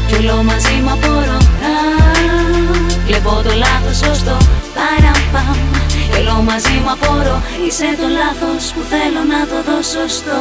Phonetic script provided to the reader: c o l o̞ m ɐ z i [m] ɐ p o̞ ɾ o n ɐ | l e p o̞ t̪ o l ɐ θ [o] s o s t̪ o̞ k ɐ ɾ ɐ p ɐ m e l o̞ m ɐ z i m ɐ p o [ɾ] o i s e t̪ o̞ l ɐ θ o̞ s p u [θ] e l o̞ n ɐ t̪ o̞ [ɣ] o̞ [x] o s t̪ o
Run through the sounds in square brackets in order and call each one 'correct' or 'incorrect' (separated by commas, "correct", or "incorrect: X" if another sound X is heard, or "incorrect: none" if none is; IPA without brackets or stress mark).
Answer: correct, correct, correct, correct, incorrect: ð, incorrect: s